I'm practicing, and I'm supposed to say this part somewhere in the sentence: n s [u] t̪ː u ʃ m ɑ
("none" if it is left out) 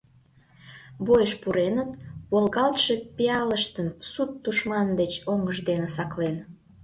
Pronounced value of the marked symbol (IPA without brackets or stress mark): u